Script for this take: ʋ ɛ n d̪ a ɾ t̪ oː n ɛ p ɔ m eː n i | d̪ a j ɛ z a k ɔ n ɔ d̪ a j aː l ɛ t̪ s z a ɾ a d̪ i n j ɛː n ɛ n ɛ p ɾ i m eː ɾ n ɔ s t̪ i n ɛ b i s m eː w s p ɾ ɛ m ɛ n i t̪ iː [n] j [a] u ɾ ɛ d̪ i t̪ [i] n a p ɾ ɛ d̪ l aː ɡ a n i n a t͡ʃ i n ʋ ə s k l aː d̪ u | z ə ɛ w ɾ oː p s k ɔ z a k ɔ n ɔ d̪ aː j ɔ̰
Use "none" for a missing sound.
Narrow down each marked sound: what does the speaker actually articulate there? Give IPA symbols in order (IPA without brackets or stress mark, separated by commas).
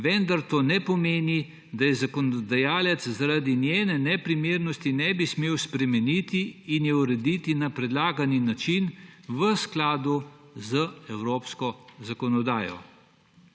n, ɛ, i